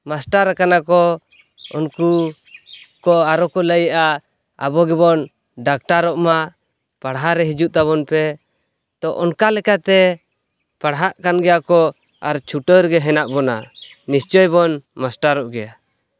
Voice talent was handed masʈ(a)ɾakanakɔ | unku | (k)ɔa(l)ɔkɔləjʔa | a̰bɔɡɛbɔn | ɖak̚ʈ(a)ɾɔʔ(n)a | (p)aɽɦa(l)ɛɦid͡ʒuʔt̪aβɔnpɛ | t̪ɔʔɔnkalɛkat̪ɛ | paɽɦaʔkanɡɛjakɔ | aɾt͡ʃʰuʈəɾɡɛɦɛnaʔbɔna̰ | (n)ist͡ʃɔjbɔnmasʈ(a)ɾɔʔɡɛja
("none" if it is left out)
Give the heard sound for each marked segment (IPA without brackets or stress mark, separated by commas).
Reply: a, k, ɾ, a, m, p, ɾ, n, a